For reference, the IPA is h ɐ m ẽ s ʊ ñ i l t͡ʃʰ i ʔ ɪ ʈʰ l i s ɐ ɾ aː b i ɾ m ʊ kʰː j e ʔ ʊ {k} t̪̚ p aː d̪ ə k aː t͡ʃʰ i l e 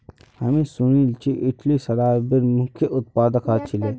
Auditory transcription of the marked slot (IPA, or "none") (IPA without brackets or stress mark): none